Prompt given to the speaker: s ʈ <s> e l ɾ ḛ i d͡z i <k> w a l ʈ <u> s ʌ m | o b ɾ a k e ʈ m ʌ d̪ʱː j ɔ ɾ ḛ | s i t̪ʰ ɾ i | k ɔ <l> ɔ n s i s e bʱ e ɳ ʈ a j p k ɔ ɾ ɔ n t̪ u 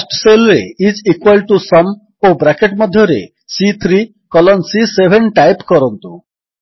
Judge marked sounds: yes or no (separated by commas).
yes, yes, yes, yes